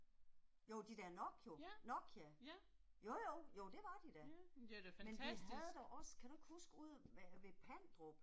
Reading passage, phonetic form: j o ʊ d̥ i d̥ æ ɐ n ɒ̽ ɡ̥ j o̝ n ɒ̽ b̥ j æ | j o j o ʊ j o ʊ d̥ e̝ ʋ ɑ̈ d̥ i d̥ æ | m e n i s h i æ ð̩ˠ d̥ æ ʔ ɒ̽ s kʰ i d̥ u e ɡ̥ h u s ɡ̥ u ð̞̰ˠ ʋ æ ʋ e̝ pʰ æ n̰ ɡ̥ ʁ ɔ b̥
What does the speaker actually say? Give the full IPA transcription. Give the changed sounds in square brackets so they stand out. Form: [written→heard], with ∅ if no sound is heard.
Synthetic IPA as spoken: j o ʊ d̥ i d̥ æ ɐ n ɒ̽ ɡ̥ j o̝ n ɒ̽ [b̥→ɡ̥] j æ | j o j o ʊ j o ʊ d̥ e̝ ʋ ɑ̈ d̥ i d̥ æ | m e n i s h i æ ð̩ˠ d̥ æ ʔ ɒ̽ s kʰ [i→æ] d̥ u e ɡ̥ h u s ɡ̥ u ð̞̰ˠ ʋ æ ʋ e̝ pʰ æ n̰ [ɡ̥→d̥] ʁ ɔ b̥